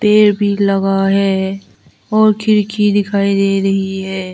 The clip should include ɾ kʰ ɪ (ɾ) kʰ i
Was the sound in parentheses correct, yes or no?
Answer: yes